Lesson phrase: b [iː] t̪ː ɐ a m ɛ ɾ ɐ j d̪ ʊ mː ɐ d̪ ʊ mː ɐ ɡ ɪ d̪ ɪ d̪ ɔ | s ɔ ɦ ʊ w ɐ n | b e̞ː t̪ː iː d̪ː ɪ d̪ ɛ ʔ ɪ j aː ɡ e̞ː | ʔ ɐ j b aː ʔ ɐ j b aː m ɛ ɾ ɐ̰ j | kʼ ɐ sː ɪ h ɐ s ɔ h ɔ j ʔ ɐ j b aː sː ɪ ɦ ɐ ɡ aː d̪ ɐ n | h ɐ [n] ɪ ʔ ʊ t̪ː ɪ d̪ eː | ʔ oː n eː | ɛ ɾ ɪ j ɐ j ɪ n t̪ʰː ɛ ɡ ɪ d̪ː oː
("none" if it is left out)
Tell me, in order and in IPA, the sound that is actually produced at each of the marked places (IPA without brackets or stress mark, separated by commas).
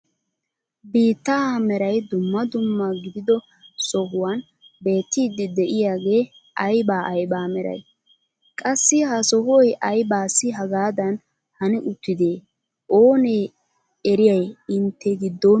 iː, n